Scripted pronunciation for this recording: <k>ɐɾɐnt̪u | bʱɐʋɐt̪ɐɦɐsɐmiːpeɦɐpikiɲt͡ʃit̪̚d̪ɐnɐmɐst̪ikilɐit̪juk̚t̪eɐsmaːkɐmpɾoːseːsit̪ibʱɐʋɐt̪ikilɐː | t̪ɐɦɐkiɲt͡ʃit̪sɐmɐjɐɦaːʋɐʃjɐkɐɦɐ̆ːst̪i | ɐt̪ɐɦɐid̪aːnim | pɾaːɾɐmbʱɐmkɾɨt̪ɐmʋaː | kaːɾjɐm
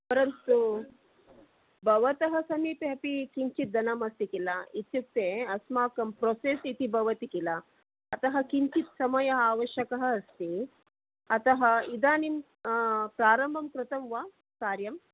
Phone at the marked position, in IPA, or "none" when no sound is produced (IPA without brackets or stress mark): p